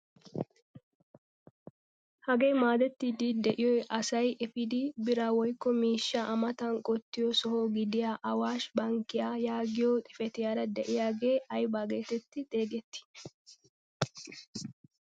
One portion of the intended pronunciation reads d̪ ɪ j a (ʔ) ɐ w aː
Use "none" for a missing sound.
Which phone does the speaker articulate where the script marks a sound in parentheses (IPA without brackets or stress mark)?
ʔ